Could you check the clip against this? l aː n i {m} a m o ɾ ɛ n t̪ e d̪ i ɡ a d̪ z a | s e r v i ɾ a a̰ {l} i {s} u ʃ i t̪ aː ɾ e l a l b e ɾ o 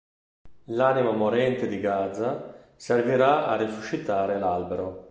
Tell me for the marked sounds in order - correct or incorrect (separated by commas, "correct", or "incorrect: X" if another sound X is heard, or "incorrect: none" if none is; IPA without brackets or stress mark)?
correct, incorrect: r, correct